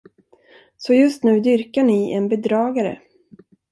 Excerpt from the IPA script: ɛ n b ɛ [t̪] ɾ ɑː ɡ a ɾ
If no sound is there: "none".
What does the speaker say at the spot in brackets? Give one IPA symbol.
d̪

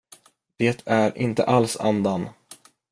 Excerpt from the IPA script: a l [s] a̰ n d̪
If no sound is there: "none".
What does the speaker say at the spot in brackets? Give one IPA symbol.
s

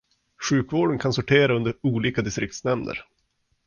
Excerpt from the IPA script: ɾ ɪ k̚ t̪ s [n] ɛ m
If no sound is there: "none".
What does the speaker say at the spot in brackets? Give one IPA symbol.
n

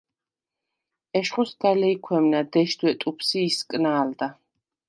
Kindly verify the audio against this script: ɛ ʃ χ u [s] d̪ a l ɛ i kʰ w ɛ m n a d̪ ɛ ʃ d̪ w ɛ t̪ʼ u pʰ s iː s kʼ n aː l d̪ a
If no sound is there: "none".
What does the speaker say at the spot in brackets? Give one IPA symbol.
s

